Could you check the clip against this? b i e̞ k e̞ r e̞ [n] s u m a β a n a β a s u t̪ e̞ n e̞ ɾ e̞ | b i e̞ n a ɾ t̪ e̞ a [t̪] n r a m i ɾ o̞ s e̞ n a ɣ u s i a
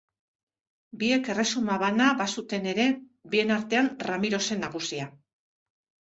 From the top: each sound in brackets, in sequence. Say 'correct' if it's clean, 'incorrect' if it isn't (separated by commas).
incorrect, incorrect